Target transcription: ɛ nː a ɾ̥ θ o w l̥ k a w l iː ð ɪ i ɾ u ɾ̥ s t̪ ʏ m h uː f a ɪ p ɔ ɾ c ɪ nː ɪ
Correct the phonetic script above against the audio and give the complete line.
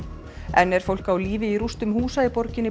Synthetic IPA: ɛ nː ɛ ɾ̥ f o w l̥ k a w l iː v ɪ i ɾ u s t̪ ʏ m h uː s a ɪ p ɔ ɾ c ɪ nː ɪ